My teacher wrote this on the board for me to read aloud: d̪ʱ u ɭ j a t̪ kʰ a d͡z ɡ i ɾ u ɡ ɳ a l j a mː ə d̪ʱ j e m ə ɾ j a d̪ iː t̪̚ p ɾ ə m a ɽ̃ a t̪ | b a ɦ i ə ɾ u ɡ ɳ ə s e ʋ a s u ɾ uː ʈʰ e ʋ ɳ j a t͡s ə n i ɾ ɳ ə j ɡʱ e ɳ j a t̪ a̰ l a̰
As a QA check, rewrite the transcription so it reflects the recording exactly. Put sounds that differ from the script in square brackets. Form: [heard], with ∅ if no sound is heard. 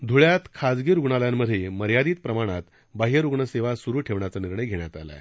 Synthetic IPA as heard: d̪ʱ u ɭ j a t̪ kʰ a d͡z ɡ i ɾ u ɡ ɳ a l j a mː ə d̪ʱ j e m ə ɾ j a d̪ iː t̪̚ p ɾ ə m a ɽ̃ a t̪ | b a ɦ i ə ɾ u ɡ ɳ ə s e ʋ a s u ɾ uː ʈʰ e ʋ ɳ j a t͡s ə n i ɾ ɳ ə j ɡʱ e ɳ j a t̪ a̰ l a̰